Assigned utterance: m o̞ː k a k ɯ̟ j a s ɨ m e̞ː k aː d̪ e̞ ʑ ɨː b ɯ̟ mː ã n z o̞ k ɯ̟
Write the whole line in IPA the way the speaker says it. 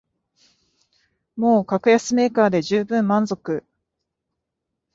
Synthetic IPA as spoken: m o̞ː k a k ɯ̟ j a s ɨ m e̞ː k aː d̪ e̞ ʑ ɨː b ɯ̟̃ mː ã n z o̞ k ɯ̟